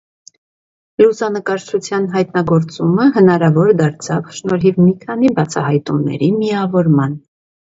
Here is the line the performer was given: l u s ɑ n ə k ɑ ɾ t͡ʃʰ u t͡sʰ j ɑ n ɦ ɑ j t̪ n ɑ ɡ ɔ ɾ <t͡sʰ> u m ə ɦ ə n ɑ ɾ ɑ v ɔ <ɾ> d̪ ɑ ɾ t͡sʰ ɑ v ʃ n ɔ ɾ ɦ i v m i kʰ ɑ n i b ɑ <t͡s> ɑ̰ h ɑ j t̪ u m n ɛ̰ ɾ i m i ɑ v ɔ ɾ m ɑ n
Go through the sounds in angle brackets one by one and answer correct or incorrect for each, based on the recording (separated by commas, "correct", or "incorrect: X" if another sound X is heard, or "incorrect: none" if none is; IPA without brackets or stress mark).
incorrect: t͡s, correct, incorrect: t͡sʰ